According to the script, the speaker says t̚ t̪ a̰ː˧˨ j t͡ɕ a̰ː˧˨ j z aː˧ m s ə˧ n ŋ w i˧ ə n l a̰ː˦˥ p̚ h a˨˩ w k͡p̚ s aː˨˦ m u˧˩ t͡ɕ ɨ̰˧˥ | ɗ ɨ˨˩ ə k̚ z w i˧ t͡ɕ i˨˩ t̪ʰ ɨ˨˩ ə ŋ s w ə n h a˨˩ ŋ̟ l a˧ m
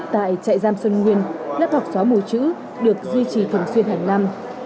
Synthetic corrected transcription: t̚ t̪ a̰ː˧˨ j t͡ɕ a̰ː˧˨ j z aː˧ m s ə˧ n ŋ w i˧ ə n l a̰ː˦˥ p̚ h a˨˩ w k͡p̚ s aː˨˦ m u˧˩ t͡ɕ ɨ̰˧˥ | ɗ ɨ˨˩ ə k̚ z w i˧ t͡ɕ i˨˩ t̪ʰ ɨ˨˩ ə ŋ s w ə n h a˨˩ ŋ̟ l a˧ m

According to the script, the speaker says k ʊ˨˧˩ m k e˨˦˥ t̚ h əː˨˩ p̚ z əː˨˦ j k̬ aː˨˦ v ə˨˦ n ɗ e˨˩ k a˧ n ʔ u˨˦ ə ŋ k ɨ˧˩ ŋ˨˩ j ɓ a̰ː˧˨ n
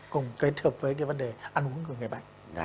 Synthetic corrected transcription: k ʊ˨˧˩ ŋ͡m k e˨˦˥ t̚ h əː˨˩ p̚ v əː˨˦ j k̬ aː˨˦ v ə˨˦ n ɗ e˨˩ ʔ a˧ n ʔ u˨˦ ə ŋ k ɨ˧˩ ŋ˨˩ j ɓ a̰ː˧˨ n

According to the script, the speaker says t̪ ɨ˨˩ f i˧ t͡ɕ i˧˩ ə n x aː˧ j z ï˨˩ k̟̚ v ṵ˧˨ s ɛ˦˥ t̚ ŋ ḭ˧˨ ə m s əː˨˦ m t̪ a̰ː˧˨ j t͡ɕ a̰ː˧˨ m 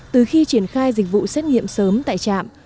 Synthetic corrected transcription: t̪ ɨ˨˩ x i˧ t͡ɕ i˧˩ ə n x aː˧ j z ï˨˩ k̟̚ v ṵ˧˨ s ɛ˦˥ t̚ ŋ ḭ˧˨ ə m s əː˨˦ m t̪ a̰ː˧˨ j t͡ɕ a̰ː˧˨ m

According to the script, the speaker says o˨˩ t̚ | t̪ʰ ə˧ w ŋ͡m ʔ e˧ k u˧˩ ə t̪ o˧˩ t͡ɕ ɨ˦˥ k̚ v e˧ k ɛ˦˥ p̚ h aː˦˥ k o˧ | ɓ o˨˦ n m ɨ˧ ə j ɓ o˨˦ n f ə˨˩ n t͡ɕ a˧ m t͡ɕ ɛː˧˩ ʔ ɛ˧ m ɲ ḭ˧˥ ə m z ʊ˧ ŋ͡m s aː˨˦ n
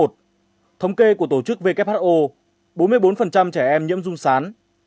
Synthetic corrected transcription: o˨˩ t̚ | t̪ʰ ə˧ w ŋ͡m k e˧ k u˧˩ ə t̪ o˧˩ t͡ɕ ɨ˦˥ k̚ v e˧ k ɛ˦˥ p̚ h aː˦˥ ʔ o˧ | ɓ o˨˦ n m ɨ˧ ə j ɓ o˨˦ n f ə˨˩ n t͡ɕ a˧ m t͡ɕ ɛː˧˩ ʔ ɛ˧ m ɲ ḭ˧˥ ə m z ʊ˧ ŋ͡m s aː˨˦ n

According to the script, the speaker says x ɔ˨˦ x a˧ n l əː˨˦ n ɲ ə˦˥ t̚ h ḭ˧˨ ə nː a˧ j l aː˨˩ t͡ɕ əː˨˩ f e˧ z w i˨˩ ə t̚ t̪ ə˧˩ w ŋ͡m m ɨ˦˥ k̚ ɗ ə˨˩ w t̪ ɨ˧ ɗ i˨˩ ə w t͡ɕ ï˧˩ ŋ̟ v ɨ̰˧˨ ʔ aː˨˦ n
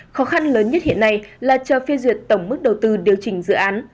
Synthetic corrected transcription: x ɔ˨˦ x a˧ n l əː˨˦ n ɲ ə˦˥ t̚ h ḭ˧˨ ə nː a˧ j l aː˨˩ t͡ɕ əː˨˩ f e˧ z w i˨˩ ə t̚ t̪ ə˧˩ w ŋ͡m m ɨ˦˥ k̚ ɗ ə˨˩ w t̪ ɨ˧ ɗ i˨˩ ə w t͡ɕ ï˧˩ ŋ̟ z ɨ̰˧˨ ʔ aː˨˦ n

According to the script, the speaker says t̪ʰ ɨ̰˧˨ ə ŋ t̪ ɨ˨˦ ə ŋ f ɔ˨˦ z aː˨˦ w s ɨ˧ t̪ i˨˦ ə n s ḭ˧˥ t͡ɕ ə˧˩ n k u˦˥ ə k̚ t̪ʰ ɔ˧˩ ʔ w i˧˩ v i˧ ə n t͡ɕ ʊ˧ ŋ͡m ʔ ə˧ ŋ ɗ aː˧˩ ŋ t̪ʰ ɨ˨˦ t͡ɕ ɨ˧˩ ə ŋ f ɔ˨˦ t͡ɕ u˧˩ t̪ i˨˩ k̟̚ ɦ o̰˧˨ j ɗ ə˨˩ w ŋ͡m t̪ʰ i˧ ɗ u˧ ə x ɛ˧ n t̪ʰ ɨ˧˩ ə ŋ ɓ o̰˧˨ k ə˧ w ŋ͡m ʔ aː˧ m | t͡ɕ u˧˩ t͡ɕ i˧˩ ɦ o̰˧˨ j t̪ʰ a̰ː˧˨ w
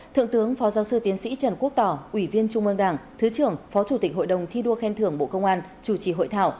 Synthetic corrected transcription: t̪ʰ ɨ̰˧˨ ə ŋ t̪ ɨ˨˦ ə ŋ f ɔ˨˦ z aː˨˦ w s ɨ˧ t̪ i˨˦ ə n s ḭ˧˥ t͡ɕ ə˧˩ n k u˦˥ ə k̚ t̪ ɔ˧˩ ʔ w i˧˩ v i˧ ə n t͡ɕ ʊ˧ ŋ͡m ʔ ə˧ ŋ ɗ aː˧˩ ŋ t̪ʰ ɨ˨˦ t͡ɕ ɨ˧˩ ə ŋ f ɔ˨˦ t͡ɕ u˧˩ t̪ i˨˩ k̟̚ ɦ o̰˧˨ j ɗ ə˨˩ w ŋ͡m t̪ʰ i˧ ɗ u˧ ə x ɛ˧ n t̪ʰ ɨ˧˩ ə ŋ ɓ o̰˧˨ k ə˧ w ŋ͡m ʔ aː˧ n | t͡ɕ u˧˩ t͡ɕ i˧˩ ɦ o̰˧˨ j t̪ʰ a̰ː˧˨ w

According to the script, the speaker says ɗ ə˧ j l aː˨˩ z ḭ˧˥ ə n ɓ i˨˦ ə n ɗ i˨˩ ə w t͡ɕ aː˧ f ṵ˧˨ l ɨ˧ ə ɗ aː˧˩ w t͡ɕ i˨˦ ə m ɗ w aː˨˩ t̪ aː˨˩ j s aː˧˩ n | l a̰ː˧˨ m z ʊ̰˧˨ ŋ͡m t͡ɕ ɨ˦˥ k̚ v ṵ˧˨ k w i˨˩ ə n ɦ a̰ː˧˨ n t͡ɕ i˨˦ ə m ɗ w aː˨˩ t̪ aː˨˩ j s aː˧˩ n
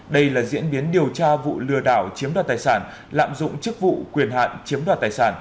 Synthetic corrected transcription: ɗ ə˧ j l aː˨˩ z ḭ˧˥ ə n ɓ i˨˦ ə n ɗ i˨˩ ə w t͡ɕ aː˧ v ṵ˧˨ l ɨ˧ ə ɗ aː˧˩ w t͡ɕ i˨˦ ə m ɗ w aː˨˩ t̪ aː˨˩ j s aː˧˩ n | l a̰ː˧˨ m z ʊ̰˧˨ ŋ͡m t͡ɕ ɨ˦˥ k̚ v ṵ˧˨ k w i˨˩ ə n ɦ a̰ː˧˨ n t͡ɕ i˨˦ ə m ɗ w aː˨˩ t̪ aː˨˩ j s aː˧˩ n

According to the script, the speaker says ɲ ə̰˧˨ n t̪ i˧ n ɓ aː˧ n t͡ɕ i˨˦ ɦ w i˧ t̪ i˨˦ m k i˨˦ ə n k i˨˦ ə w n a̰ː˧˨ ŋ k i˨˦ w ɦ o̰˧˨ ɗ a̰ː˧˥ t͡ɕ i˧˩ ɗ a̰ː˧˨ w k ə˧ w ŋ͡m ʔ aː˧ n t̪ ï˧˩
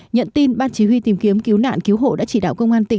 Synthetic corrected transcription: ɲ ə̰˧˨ n t̪ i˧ n ɓ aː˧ n t͡ɕ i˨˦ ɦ w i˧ t̪ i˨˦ m k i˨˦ ə m k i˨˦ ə w n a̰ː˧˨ n k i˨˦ w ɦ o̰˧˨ ɗ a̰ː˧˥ t͡ɕ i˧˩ ɗ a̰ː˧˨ w k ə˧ w ŋ͡m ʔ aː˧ n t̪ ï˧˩

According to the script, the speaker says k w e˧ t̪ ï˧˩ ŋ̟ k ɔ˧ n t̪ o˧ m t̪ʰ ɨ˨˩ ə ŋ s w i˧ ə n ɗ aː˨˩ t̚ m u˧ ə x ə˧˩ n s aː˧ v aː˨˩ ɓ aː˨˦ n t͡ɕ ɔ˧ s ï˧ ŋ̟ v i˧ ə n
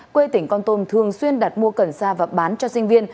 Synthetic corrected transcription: k w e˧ t̪ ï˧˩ ŋ̟ k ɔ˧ n t̪ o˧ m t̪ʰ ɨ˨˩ ə ŋ s w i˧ ə n ɗ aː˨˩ t̚ m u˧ ə k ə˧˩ n s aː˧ v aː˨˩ ɓ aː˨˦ n t͡ɕ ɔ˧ s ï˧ ŋ̟ v i˧ ə n

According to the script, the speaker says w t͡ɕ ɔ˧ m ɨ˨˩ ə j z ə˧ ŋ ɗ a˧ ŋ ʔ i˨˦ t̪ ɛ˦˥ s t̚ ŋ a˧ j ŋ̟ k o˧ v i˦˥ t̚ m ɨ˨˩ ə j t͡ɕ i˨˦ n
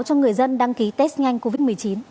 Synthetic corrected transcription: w t͡ɕ ɔ˧ ŋ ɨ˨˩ ə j z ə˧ n ɗ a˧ ŋ k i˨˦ t̪ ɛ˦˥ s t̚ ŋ a˧ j ŋ̟ k o˧ v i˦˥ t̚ m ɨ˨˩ ə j t͡ɕ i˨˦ n

